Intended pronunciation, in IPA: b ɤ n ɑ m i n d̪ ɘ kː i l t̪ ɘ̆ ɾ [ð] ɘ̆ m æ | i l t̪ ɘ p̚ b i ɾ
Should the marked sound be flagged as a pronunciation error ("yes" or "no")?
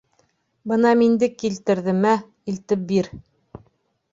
no